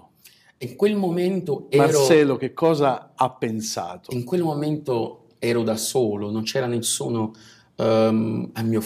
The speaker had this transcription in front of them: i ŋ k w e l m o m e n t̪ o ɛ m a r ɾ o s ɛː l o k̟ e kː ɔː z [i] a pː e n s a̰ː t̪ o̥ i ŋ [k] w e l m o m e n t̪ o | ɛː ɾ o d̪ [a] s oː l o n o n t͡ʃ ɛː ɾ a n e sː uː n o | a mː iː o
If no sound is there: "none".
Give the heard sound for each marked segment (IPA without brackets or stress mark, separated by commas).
a, k, a